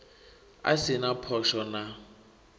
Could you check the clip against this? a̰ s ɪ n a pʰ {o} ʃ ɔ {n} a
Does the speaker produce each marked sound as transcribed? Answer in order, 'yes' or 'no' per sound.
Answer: no, yes

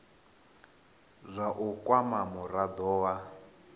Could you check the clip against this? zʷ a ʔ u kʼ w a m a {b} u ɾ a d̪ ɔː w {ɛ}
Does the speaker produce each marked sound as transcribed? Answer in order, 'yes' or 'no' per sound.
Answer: no, no

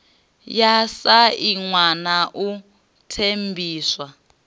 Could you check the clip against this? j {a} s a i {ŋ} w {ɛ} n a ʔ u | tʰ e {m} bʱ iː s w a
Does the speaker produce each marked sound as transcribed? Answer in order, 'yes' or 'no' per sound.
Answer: yes, yes, no, yes

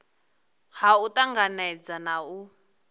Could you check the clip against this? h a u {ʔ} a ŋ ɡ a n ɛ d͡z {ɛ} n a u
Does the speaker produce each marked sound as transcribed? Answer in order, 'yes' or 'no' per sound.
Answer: no, no

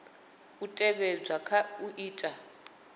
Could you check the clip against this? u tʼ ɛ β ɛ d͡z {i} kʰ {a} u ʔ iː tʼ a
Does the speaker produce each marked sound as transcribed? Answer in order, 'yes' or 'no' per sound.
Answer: no, yes

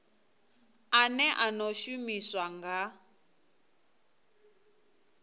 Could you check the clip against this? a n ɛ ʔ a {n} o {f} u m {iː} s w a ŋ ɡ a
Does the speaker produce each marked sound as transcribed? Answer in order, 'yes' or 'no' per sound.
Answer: yes, no, no

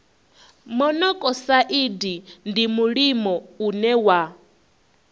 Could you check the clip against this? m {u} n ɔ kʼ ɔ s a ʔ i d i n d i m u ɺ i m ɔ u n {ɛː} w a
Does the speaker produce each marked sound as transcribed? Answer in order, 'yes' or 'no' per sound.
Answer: no, no

